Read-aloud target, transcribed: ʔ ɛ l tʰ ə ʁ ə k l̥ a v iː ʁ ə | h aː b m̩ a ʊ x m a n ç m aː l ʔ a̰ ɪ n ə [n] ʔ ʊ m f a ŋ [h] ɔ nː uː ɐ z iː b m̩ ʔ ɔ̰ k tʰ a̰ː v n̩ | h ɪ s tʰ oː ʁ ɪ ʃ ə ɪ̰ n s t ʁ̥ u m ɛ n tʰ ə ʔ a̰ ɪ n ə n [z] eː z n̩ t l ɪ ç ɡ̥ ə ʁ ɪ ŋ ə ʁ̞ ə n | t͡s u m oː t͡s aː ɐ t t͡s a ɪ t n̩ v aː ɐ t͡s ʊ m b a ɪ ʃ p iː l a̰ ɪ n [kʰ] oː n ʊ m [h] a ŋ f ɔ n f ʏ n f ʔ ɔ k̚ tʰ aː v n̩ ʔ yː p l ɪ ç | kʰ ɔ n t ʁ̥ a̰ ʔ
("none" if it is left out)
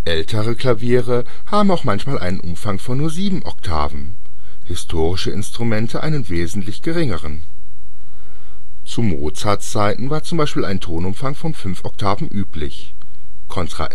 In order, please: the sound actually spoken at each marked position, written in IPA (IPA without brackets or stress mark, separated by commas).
n, f, v, tʰ, f